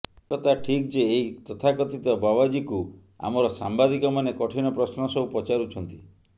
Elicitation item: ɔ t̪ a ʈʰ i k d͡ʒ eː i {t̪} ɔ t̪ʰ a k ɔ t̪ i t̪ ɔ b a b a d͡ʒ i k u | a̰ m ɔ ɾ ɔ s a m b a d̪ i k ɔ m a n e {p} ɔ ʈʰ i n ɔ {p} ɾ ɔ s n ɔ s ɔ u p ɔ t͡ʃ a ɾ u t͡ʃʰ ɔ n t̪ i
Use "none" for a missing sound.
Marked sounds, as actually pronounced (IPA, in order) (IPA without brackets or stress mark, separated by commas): t̪, k, p